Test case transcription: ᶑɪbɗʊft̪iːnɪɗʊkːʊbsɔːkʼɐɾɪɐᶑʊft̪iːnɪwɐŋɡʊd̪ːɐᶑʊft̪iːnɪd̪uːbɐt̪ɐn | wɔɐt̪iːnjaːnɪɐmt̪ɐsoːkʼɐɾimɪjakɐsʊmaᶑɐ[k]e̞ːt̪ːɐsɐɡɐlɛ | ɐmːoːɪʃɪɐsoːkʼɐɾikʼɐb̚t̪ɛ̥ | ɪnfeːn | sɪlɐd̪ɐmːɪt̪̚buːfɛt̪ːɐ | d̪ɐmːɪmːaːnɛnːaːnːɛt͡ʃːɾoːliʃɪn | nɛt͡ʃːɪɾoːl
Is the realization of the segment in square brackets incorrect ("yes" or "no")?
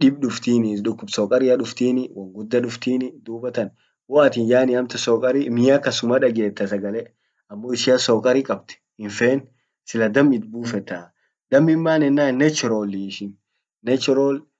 yes